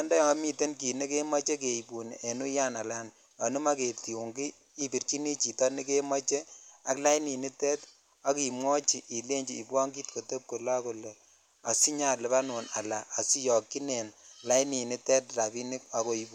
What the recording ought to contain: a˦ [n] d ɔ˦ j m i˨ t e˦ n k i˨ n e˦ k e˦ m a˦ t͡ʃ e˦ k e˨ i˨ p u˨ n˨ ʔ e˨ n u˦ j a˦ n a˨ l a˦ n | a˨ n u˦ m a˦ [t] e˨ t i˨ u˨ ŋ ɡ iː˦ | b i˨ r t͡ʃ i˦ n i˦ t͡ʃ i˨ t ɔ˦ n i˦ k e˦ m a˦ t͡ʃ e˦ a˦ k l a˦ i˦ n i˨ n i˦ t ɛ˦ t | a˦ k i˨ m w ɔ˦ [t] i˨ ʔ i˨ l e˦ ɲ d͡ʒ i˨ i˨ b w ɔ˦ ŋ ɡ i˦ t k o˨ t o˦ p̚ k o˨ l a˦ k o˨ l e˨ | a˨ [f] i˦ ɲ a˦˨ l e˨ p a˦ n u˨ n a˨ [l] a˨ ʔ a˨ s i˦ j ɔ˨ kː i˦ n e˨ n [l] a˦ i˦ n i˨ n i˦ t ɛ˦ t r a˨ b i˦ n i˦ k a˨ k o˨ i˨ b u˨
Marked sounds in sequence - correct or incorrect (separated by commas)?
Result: correct, incorrect, incorrect, incorrect, correct, correct